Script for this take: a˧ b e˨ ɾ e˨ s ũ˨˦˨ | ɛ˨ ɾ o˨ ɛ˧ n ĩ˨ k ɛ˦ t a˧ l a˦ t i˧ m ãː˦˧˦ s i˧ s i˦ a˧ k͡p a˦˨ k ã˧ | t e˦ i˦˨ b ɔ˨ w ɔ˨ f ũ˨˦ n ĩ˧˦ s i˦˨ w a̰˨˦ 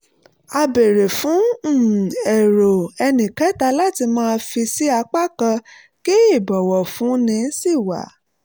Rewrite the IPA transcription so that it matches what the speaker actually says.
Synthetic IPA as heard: a˧ b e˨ ɾ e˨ f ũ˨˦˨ | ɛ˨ ɾ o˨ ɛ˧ n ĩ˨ k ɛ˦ t a˧ l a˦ t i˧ m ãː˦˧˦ f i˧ s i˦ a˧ k͡p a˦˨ k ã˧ | k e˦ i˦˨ b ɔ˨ w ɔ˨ f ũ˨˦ n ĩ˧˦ s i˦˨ w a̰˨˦